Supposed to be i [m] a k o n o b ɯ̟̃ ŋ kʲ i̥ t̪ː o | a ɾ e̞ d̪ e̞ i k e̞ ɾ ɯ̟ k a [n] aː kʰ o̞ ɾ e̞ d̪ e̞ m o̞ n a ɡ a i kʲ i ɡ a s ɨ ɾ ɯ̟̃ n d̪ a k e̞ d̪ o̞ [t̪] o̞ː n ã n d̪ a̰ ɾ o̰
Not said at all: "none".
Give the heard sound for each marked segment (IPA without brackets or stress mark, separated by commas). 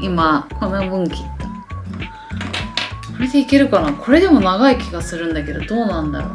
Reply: m, n, d̪